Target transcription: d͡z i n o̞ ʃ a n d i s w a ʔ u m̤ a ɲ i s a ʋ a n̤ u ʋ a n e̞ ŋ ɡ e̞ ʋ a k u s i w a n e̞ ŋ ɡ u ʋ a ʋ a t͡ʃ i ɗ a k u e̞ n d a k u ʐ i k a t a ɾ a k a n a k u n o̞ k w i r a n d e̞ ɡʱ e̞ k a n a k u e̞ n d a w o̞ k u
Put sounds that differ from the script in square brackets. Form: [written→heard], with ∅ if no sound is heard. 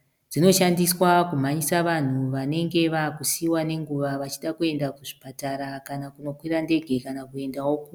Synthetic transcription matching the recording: d͡z i n o̞ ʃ a n d i s w a [ʔ→k] u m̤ a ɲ i s a ʋ a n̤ u ʋ a n e̞ ŋ ɡ e̞ ʋ a k u s i w a n e̞ ŋ ɡ u ʋ a ʋ a t͡ʃ i ɗ a k u e̞ n d a k u ʐ i [k→p] a t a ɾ a k a n a k u n o̞ k w i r a n d e̞ ɡʱ e̞ k a n a k u e̞ n d a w o̞ k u